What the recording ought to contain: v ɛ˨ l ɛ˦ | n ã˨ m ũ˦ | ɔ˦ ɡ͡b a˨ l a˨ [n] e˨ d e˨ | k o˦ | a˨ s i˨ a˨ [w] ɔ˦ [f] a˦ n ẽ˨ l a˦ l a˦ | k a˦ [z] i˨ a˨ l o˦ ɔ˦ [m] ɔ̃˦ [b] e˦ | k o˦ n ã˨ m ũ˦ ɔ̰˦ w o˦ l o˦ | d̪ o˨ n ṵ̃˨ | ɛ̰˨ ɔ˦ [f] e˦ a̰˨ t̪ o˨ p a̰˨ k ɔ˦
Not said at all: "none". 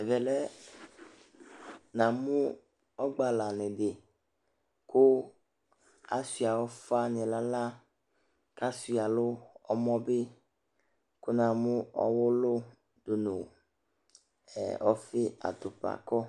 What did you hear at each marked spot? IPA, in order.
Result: n, w, f, s, m, b, f

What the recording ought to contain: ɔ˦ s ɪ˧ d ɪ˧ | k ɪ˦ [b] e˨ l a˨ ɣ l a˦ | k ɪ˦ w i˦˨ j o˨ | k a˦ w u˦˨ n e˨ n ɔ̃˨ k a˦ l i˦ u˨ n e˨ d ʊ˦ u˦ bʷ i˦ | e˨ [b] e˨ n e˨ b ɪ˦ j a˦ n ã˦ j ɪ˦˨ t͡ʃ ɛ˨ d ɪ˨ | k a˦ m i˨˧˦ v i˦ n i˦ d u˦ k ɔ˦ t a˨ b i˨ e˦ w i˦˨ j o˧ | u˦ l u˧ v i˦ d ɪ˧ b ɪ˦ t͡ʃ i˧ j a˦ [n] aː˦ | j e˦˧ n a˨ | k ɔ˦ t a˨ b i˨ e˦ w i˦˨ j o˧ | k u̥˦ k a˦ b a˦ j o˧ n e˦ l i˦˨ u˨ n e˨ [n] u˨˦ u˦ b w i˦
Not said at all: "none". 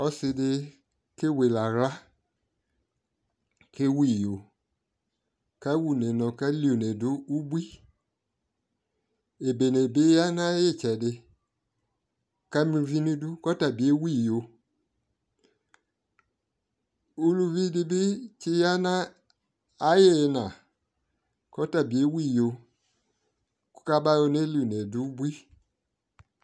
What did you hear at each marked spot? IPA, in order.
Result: w, b, n, d

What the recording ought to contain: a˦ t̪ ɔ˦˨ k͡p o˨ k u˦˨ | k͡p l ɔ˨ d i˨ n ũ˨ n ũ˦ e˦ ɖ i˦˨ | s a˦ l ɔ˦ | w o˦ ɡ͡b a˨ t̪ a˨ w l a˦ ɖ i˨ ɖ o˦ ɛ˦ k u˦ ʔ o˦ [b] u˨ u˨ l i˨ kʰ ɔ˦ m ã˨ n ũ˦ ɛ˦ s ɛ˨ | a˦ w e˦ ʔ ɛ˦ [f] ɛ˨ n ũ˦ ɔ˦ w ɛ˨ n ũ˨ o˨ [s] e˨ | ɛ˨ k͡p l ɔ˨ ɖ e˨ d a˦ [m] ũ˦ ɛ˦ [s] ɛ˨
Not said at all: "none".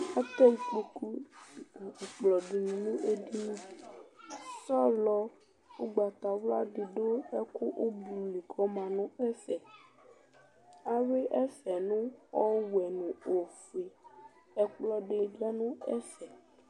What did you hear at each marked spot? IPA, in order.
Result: b, s, f, n, s

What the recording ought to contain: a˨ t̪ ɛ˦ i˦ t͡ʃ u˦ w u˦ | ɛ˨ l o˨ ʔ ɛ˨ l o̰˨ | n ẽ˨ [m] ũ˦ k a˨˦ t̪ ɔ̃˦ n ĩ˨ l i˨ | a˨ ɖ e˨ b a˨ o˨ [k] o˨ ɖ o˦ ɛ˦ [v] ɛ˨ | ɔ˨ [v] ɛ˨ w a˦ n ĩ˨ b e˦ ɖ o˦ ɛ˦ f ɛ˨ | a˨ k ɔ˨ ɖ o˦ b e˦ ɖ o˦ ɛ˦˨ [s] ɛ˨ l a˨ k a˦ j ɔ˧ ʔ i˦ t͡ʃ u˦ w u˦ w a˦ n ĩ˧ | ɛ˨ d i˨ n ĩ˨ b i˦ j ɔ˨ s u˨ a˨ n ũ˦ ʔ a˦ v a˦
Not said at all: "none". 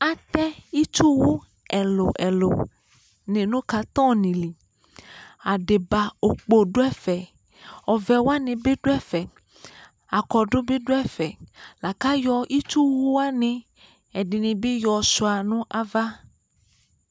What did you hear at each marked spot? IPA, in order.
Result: n, k͡p, f, v, f

